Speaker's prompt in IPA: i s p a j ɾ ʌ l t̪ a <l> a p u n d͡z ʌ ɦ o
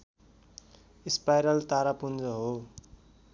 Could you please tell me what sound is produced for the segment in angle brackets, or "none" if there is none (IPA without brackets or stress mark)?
ɾ